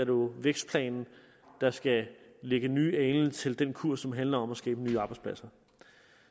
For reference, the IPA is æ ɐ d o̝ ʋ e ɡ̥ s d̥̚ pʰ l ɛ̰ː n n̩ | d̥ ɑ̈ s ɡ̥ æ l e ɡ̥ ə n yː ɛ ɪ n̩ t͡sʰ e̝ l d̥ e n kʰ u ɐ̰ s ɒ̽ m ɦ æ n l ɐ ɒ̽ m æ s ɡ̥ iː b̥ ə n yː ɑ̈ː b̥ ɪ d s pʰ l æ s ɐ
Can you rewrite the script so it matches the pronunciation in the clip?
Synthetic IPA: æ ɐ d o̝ ʋ e ɡ̥ s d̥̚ pʰ l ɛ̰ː n n̩ | d̥ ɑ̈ s ɡ̥ æ l e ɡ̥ ə n yː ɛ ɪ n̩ t͡sʰ e̝ l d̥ e n kʰ u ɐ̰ s ɒ̽ m ɦ æ n l ɐ ɒ̽ m æ s ɡ̥ ɛː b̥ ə n yː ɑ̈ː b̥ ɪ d s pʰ l æ s ɐ